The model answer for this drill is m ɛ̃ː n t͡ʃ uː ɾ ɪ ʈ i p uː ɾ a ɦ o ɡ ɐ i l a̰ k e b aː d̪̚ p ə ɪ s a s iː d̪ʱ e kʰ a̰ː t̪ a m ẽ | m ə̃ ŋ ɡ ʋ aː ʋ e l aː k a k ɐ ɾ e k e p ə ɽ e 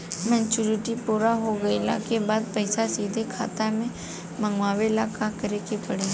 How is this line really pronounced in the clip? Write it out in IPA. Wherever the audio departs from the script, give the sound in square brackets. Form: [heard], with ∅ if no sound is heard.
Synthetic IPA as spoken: m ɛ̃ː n t͡ʃ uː ɾ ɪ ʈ i p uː ɾ a ɦ o ɡ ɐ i l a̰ k e b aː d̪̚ p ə ɪ s a s iː d̪ʱ e kʰ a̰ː t̪ a m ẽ | m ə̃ ŋ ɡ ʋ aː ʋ e l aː k a k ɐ ɾ e k e p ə ɽ e